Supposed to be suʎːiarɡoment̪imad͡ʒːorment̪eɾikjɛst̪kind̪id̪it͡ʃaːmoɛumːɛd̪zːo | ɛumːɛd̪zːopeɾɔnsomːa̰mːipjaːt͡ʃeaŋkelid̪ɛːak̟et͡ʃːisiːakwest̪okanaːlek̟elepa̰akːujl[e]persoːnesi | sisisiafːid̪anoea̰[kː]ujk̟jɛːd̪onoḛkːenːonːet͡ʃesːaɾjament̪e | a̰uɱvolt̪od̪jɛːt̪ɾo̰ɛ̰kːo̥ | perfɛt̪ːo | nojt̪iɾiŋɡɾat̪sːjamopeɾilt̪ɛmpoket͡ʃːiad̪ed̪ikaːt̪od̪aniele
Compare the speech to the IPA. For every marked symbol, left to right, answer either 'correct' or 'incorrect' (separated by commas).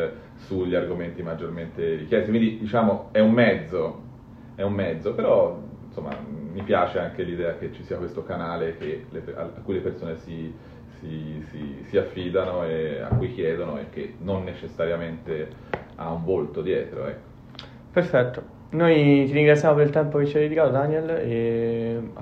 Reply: correct, correct